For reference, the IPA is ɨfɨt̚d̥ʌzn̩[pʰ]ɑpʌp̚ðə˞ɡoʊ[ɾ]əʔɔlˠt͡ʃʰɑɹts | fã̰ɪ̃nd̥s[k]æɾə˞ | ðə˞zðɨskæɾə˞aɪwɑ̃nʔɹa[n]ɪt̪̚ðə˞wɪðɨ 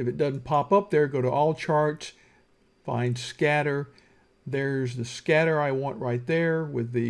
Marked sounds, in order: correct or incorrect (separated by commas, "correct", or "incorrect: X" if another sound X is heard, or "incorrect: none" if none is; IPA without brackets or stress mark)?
correct, correct, correct, incorrect: none